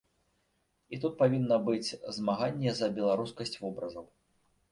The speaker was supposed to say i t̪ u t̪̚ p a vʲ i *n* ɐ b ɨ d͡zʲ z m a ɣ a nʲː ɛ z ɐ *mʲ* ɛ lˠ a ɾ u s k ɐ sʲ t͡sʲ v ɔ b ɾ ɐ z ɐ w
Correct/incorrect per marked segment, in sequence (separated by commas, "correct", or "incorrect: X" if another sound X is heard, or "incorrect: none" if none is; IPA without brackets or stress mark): incorrect: nː, incorrect: bʲ